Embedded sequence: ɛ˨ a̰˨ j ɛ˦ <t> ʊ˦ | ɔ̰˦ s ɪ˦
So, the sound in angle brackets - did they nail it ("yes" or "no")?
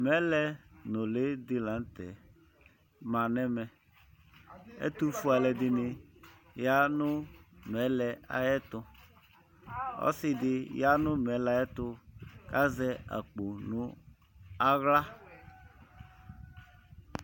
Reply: yes